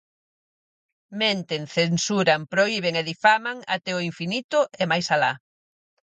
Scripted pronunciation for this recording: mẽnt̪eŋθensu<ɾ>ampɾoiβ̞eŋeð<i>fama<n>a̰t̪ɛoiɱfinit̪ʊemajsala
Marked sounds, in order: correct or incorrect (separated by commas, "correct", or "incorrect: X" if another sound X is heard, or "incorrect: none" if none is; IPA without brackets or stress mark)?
correct, correct, incorrect: ŋ